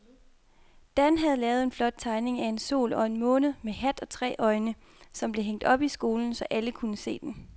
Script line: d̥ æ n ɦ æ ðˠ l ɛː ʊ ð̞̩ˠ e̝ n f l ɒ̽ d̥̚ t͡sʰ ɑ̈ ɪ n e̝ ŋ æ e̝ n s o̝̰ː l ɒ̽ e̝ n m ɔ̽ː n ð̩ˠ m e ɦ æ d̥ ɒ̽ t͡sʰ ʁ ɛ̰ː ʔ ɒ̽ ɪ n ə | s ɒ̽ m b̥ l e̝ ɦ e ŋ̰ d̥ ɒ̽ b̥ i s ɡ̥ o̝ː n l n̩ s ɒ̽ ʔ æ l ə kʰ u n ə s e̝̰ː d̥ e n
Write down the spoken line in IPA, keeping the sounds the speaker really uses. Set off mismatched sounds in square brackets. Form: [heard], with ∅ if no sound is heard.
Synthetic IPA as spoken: d̥ æ n ɦ æ ðˠ l ɛː ʊ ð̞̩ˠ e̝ n f l ɒ̽ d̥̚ t͡sʰ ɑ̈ ɪ n e̝ ŋ æ e̝ n s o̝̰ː l ɒ̽ e̝ n m ɔ̽ː n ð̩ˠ m e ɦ æ d̥ ɒ̽ t͡sʰ ʁ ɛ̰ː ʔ ɒ̽ ɪ n ə | s ɒ̽ m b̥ l e̝ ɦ e ŋ̰ d̥ ɒ̽ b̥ i s ɡ̥ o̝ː [∅] l n̩ s ɒ̽ ʔ æ l ə kʰ u n ə s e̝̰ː d̥ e n